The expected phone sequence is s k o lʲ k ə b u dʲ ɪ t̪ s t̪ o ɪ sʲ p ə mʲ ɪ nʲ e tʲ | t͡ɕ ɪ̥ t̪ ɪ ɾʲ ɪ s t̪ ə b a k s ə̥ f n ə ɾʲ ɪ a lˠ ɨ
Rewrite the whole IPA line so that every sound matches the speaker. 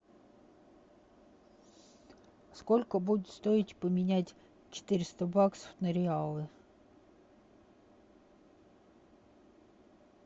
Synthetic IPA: s k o lʲ k ə b u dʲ ɪ t̪ s t̪ o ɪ tʲ p ə mʲ ɪ nʲ æ tʲ | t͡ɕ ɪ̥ t̪ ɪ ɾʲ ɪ s t̪ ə b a k s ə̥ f n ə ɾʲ ɪ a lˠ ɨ